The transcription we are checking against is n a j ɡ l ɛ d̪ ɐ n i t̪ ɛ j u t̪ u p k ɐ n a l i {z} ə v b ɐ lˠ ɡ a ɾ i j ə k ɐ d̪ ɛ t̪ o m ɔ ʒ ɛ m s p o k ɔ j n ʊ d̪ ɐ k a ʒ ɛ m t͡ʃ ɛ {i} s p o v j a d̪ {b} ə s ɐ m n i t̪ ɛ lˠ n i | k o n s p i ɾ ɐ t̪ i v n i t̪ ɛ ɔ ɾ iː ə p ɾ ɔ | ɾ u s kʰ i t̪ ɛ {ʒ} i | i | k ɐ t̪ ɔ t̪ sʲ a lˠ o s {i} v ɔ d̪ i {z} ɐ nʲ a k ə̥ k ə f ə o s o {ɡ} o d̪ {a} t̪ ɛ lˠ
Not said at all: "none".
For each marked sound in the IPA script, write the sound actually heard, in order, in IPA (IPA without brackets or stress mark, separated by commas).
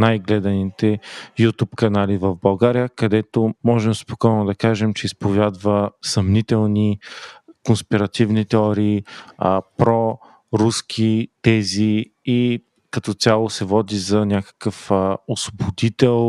v, i, v, z, ɛ, z, b, i